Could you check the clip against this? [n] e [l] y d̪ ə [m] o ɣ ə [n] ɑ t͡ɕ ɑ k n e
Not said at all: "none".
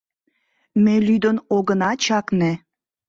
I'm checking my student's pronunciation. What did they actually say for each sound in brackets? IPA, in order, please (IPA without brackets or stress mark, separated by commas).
m, l, n, n